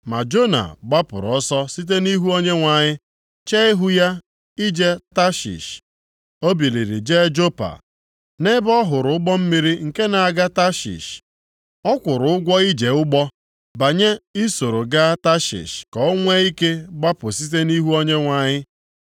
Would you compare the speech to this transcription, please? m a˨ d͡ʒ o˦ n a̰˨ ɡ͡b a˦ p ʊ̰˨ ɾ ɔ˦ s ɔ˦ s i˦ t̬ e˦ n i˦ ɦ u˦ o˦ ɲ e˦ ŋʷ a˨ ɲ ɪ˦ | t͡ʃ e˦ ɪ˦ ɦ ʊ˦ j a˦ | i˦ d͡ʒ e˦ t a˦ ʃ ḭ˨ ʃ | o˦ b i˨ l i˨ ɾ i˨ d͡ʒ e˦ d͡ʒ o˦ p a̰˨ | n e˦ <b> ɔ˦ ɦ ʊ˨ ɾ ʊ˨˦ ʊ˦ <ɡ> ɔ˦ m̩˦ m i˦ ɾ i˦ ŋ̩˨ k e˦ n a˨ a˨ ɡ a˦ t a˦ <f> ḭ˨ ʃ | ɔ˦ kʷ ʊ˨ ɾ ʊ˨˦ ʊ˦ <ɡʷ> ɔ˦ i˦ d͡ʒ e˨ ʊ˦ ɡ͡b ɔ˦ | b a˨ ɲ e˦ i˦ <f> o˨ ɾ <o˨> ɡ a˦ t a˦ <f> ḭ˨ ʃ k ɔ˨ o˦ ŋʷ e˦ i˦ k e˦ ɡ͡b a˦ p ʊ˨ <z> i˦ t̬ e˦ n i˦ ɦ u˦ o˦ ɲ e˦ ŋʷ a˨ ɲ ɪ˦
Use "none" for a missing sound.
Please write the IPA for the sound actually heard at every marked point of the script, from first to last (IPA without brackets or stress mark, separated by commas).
b, ɡ͡b, ʃ, ɡʷ, s, o˨, ʃ, s